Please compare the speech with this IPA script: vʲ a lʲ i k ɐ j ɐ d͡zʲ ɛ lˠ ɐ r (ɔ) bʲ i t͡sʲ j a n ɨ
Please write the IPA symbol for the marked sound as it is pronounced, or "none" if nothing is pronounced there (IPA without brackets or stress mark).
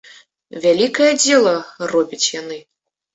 ɔ